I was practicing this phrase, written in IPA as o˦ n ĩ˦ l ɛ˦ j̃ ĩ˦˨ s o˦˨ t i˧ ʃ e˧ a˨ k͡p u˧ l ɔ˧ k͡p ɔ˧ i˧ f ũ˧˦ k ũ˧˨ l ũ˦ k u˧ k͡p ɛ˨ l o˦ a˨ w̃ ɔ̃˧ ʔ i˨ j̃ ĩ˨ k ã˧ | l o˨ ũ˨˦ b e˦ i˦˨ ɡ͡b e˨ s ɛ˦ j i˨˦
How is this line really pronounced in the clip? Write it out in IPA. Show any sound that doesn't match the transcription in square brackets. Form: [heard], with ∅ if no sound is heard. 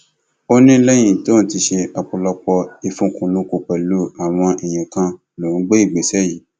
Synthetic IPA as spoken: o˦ n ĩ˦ l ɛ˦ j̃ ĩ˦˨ [t] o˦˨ t i˧ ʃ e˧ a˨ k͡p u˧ l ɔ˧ k͡p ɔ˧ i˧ f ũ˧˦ k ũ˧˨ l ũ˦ k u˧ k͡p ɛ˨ l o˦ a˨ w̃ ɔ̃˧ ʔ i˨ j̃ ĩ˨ k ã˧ | l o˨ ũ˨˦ [ɡ͡b] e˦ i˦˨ ɡ͡b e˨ s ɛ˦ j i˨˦

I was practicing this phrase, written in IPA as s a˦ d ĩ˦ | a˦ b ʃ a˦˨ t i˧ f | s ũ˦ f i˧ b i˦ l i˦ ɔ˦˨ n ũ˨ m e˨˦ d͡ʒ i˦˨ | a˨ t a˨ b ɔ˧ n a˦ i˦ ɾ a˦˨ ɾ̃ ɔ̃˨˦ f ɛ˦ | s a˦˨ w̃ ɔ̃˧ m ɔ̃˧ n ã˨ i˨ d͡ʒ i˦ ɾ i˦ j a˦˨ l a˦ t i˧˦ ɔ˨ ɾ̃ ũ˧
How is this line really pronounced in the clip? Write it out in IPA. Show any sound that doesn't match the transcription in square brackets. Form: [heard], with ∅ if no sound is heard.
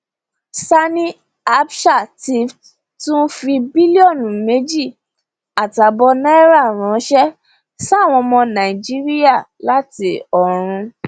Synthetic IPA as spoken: s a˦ [n] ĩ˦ | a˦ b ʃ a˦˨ t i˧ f | [t] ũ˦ f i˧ b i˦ l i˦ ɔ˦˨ n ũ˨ m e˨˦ d͡ʒ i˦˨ | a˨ t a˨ b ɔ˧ n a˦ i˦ ɾ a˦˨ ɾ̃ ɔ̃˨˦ [ʃ] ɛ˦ | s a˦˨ w̃ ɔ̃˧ m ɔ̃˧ n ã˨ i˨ d͡ʒ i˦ ɾ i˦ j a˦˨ l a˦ t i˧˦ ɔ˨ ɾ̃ ũ˧

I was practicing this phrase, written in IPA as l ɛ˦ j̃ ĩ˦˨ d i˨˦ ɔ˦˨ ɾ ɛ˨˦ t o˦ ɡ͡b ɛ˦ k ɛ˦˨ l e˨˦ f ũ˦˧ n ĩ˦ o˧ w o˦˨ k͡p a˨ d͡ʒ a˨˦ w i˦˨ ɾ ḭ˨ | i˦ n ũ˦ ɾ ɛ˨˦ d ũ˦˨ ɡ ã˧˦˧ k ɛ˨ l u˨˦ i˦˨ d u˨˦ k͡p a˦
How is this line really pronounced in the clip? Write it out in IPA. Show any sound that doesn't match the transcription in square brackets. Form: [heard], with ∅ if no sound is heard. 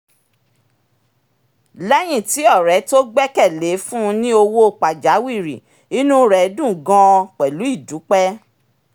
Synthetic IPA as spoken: l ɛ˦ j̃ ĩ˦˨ [t] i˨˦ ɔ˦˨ ɾ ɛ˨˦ t o˦ ɡ͡b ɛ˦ k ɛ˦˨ l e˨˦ f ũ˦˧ n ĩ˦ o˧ w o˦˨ k͡p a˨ d͡ʒ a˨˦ w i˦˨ ɾ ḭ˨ | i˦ n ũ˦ ɾ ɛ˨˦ d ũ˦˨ ɡ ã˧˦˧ [k͡p] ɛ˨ l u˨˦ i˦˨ d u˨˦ k͡p [ɛ˦]

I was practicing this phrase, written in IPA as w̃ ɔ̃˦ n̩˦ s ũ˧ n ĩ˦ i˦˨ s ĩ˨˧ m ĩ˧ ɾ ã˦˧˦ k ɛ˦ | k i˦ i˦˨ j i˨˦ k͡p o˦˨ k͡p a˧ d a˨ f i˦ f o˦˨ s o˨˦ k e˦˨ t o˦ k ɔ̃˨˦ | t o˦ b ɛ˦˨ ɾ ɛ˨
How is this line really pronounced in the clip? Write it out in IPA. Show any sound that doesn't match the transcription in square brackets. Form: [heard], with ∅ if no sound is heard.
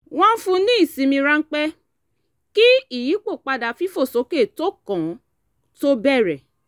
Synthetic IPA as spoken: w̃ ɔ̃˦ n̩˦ [f] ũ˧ n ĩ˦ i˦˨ s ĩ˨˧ m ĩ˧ ɾ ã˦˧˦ [k͡p] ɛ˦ | k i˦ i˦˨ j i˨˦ k͡p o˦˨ k͡p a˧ d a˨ f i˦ f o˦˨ s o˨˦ k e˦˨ t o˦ k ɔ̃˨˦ | t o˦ b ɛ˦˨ ɾ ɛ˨

